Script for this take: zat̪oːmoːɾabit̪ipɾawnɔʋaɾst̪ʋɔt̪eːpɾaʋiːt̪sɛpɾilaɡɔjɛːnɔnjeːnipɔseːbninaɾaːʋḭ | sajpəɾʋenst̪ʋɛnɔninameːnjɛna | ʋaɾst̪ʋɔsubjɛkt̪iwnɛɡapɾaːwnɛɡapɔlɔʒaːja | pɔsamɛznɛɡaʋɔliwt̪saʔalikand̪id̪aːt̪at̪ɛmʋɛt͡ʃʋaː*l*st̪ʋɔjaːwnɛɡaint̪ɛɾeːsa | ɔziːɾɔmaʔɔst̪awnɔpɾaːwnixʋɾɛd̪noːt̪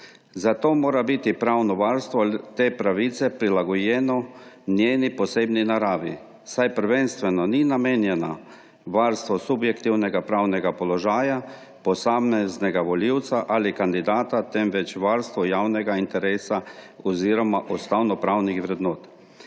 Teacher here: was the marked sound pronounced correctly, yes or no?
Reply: no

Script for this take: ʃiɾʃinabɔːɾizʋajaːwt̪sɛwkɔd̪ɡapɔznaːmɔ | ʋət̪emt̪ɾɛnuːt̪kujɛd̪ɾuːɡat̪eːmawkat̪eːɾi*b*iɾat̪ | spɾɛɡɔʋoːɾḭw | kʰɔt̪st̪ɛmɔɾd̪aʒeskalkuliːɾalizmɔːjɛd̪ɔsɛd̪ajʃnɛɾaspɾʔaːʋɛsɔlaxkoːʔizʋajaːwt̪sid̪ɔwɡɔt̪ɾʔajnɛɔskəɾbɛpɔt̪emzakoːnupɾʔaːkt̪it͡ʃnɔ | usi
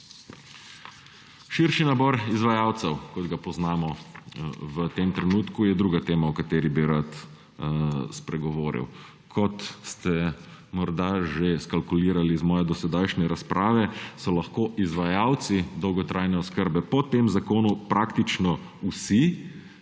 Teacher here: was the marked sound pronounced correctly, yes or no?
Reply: yes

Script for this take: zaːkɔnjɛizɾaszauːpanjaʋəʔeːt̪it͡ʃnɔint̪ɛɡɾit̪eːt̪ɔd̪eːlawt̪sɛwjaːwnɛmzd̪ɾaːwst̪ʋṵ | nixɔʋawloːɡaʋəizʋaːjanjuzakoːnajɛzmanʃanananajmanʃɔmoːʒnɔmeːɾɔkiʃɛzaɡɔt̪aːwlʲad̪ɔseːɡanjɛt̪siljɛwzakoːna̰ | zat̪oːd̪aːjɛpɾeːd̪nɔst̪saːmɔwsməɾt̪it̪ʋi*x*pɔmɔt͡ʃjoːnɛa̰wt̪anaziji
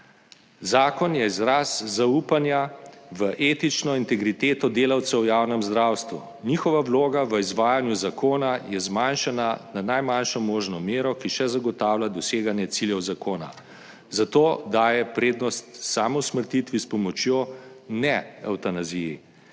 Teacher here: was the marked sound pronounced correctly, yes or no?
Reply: no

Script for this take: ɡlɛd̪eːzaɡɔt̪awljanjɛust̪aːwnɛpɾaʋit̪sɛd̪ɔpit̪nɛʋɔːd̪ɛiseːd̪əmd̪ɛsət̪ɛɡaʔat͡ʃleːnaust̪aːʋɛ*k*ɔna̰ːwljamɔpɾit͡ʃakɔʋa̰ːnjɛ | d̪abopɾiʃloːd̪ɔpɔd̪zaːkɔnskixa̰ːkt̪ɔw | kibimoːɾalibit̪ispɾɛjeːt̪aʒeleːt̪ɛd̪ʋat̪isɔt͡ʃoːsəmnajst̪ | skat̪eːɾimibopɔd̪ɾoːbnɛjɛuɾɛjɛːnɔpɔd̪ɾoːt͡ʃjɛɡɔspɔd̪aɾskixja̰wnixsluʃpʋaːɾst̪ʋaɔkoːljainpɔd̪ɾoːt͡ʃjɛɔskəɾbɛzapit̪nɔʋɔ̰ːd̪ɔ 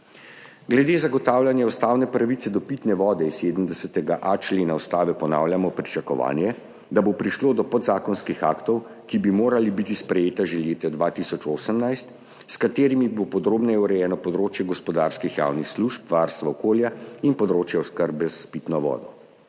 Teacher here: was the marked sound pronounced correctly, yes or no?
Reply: no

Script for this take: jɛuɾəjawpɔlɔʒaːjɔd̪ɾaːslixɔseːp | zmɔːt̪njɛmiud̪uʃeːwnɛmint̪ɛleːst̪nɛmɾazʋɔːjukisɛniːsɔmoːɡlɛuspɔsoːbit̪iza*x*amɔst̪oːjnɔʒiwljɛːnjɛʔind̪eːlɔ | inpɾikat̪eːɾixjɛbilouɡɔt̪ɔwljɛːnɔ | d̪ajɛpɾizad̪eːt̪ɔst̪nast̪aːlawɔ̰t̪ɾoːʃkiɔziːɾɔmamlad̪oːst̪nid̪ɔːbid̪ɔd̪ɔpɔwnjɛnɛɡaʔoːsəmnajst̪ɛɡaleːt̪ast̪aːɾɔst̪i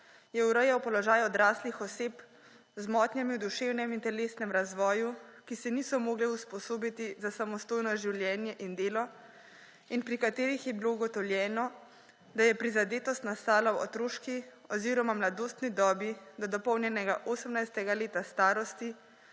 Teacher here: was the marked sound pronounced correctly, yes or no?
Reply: no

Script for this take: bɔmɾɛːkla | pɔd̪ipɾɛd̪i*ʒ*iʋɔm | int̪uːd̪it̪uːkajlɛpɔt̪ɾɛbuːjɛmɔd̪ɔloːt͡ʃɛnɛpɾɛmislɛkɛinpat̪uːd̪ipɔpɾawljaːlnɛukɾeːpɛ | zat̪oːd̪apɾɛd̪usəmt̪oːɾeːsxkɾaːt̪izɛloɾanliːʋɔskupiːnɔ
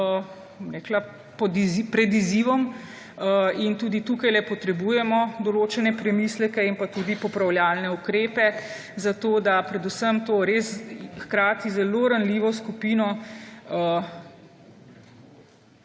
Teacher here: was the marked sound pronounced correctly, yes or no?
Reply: no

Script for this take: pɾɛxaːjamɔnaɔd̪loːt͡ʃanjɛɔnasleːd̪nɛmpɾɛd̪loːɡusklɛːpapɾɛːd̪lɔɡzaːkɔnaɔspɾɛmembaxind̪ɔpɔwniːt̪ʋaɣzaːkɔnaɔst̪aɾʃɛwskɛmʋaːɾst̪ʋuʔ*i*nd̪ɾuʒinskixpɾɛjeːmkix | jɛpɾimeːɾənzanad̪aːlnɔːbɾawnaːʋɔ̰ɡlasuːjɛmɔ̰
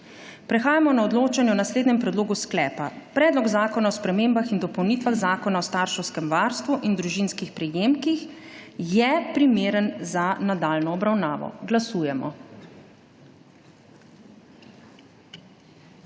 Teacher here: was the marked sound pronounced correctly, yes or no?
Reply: yes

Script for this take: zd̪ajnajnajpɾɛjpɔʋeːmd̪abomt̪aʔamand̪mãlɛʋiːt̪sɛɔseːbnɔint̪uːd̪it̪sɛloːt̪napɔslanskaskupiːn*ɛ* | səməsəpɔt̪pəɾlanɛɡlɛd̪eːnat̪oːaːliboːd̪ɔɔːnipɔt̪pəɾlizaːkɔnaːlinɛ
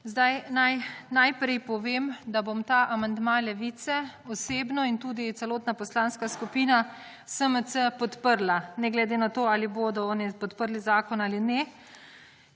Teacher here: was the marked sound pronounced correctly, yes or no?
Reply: no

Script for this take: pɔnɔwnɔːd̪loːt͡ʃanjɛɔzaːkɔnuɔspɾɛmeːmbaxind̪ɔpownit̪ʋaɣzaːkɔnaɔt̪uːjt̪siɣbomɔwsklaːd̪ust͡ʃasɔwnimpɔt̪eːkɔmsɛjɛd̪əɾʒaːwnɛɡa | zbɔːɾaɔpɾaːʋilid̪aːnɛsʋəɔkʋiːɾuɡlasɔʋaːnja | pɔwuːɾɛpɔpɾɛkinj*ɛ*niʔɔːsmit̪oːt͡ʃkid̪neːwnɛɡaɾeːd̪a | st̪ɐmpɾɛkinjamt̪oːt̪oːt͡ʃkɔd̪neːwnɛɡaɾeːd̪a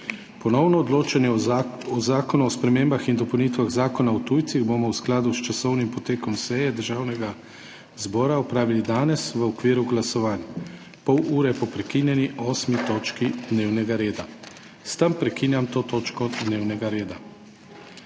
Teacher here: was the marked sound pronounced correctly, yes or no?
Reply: yes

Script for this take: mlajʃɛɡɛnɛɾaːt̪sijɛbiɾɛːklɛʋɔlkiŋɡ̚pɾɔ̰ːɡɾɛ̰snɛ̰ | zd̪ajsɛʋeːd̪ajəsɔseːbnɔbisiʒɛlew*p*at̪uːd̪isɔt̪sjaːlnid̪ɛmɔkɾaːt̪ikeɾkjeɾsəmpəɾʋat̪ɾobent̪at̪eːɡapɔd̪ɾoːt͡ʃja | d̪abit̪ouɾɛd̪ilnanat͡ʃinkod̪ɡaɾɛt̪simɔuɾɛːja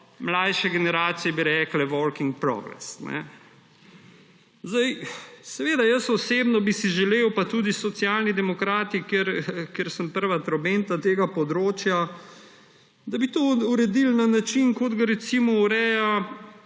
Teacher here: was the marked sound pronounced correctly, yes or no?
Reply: yes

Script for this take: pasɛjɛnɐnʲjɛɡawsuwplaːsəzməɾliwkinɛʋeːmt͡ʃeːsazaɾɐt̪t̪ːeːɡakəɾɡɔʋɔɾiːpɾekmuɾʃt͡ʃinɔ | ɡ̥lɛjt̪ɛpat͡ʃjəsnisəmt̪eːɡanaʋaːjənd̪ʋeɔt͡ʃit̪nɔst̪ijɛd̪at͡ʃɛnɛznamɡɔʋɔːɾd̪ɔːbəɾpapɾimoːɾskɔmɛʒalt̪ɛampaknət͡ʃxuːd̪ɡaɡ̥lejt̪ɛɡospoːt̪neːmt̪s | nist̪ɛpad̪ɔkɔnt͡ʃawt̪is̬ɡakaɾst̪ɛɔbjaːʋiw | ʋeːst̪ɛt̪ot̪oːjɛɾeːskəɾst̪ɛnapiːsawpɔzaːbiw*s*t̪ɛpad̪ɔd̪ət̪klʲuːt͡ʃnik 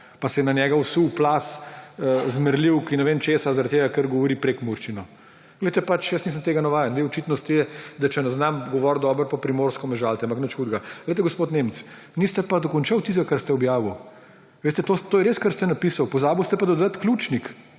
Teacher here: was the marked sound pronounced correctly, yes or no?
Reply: yes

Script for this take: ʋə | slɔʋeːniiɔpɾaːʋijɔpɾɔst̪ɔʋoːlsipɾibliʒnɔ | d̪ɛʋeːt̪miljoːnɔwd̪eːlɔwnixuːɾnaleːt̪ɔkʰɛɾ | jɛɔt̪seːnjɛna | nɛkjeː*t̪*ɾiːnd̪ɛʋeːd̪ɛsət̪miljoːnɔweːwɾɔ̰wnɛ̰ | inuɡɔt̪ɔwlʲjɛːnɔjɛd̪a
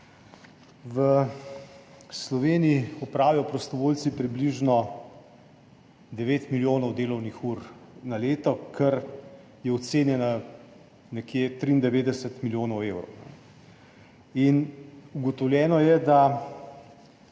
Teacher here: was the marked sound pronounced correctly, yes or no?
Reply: yes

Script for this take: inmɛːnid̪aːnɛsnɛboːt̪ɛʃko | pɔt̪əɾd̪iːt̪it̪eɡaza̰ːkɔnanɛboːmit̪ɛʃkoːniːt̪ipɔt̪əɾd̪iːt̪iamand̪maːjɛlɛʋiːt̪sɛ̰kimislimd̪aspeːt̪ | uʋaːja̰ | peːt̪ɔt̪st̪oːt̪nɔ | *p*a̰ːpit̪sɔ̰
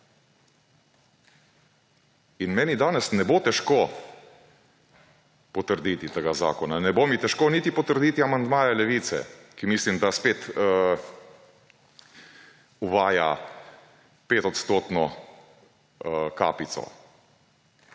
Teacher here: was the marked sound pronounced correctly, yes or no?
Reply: no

